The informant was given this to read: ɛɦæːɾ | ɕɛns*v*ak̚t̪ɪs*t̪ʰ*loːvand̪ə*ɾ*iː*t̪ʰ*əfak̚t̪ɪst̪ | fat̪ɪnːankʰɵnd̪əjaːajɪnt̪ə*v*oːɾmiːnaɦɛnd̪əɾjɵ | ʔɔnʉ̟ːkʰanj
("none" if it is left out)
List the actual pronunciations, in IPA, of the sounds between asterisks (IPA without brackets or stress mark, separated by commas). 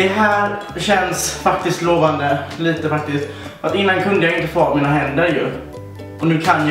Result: f, t̪, l, t̪, f